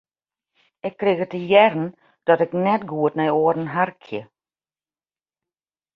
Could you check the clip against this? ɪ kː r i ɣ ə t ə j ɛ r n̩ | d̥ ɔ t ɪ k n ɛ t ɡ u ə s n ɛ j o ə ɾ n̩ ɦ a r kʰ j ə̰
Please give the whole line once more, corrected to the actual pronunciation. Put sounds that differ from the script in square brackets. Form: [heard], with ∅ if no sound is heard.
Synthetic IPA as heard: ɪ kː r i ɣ ə t ə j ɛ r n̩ | d̥ ɔ t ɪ k n ɛ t ɡ u ə [t] n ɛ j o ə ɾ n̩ ɦ a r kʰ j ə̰